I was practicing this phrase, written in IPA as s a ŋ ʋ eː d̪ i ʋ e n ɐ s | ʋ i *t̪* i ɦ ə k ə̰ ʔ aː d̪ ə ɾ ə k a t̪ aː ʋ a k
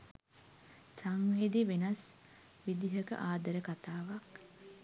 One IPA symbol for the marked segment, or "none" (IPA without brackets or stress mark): d̪